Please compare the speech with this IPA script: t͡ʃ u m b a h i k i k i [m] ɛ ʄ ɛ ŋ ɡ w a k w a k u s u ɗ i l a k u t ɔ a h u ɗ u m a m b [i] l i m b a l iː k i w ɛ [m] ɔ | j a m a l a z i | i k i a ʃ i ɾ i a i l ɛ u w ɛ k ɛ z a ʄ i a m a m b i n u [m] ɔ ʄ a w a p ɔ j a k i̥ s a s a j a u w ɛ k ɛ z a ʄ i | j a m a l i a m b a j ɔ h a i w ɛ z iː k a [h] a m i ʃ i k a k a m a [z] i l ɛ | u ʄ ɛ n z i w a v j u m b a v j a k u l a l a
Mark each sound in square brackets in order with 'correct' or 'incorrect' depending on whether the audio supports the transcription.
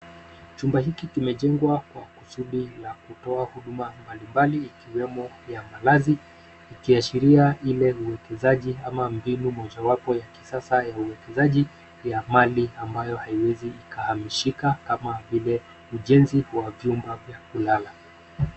correct, incorrect, correct, correct, correct, incorrect

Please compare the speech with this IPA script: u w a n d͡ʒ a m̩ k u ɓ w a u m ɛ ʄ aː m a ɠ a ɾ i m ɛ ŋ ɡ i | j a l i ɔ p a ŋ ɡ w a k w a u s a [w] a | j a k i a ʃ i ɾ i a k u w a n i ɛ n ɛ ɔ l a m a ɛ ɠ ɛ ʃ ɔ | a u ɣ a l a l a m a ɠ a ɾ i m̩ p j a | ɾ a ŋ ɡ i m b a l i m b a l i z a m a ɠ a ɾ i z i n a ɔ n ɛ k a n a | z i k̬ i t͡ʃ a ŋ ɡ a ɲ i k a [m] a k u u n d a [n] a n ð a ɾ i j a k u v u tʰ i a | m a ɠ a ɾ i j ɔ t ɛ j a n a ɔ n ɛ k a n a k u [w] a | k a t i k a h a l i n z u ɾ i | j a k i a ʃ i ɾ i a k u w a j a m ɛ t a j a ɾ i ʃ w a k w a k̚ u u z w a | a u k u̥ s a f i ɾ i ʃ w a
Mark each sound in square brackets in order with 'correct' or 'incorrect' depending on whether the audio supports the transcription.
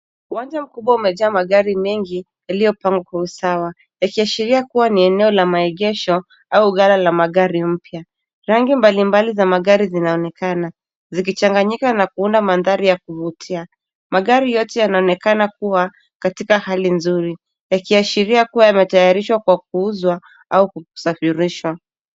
correct, incorrect, incorrect, correct

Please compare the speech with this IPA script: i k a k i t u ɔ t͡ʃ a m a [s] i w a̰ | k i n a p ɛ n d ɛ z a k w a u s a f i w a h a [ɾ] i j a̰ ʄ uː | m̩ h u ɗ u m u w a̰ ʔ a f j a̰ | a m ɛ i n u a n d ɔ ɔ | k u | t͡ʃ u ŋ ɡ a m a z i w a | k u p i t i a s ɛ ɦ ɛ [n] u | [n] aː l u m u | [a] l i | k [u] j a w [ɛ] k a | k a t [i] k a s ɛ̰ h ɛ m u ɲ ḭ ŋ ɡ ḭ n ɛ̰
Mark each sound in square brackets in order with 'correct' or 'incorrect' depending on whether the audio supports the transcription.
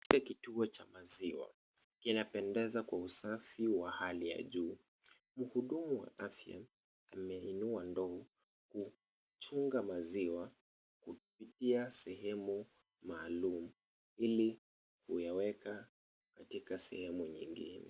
incorrect, incorrect, incorrect, incorrect, incorrect, correct, correct, correct

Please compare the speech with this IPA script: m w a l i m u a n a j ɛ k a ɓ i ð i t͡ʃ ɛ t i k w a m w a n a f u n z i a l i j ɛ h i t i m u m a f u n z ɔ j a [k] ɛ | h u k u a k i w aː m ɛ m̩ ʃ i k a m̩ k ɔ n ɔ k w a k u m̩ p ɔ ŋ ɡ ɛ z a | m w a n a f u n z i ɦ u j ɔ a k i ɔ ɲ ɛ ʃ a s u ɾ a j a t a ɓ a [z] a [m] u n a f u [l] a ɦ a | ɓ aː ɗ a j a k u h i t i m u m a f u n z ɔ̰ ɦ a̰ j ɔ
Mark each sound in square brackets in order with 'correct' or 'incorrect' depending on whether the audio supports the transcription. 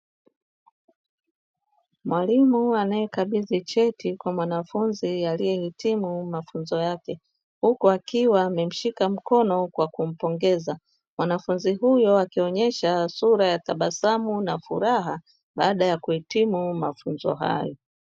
correct, incorrect, correct, incorrect

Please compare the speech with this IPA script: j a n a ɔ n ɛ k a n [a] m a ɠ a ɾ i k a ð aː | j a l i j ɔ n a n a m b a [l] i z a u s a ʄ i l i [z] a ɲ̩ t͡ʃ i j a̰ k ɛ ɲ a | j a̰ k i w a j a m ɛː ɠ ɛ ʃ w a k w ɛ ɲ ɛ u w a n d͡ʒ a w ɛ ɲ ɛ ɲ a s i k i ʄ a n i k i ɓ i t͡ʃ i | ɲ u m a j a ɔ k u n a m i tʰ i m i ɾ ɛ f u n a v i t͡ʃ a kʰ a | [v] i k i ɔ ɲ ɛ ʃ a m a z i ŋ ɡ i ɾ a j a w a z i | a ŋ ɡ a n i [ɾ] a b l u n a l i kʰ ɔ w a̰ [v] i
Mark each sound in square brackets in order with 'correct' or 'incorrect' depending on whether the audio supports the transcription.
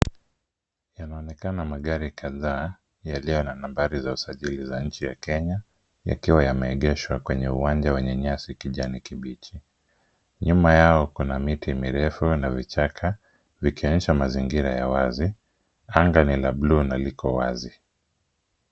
correct, incorrect, correct, correct, incorrect, incorrect

